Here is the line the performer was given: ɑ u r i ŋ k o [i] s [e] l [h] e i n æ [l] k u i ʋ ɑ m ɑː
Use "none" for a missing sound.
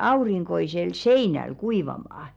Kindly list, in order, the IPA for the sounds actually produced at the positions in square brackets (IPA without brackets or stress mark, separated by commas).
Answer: i, e, s, l